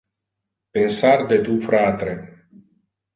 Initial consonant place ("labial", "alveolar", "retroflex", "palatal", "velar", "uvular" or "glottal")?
labial